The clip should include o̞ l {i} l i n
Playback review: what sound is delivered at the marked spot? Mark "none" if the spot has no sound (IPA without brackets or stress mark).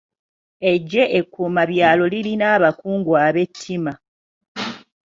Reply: i